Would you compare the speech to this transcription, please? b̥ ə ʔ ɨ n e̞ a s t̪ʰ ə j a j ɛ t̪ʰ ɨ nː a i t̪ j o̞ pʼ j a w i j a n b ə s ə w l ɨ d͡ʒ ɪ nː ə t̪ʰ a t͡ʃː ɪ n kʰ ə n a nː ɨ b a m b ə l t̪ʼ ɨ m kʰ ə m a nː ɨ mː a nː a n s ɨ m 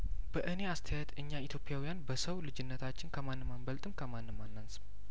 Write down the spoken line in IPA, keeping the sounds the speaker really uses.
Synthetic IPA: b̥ ə ʔ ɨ n e̞ a s t̪ʰ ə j a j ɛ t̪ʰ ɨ ɲː a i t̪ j o̞ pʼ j a w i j a n b ə s ə w l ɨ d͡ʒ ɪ nː ə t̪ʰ a t͡ʃː ɪ n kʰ ə m a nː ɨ m a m b ə l t̪ʼ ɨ m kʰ ə m a nː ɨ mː a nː a n s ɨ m